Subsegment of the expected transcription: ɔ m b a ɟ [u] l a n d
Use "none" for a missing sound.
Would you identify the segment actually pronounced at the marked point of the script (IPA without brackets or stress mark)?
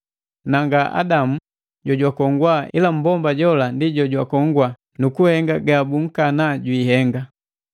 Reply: ɔ